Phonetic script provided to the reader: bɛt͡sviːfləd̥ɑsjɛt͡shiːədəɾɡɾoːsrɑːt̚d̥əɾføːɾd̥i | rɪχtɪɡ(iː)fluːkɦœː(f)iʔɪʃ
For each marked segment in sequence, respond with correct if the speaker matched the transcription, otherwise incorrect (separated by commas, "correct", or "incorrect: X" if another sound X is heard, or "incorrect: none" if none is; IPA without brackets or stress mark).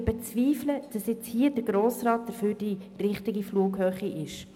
incorrect: i, incorrect: χ